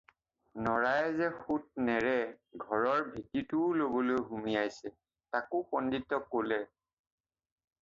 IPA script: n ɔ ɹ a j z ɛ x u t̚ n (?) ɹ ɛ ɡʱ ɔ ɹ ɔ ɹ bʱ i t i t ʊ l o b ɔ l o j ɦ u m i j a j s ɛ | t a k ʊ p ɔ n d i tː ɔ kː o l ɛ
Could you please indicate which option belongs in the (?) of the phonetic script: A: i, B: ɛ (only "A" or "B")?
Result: B